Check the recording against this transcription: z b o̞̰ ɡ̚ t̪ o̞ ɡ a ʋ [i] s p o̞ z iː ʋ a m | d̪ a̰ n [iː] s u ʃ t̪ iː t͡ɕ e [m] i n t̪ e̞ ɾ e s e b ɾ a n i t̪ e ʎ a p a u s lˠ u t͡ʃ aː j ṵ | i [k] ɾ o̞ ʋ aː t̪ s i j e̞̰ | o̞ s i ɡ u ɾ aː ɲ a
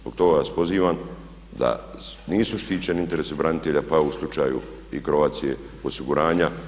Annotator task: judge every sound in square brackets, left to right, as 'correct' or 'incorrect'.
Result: incorrect, correct, incorrect, correct

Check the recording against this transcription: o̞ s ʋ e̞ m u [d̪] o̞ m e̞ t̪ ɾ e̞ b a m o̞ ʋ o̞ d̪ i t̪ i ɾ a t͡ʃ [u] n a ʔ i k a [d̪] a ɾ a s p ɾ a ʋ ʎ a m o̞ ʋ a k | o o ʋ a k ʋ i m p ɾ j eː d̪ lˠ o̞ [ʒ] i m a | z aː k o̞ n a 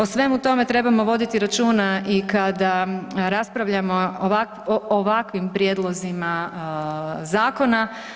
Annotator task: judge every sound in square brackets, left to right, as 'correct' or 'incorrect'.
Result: incorrect, incorrect, correct, incorrect

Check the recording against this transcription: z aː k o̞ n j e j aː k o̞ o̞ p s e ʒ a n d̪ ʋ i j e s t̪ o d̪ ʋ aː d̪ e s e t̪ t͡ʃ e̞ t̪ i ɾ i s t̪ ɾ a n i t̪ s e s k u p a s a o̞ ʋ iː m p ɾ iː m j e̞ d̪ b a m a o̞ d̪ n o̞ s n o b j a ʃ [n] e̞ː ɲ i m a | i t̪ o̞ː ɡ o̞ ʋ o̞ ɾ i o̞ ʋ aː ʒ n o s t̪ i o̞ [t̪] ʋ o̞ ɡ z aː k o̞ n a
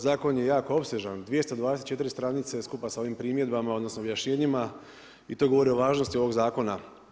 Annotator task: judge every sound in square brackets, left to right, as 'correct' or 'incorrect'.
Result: incorrect, incorrect

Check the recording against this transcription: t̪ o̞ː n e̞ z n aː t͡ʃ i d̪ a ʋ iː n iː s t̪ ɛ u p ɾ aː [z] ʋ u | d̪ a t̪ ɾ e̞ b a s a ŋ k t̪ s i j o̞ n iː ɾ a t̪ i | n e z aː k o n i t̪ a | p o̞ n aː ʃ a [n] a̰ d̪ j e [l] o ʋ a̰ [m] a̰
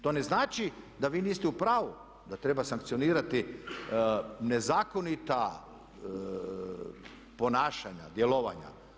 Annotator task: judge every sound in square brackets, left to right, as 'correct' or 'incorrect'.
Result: incorrect, incorrect, correct, incorrect

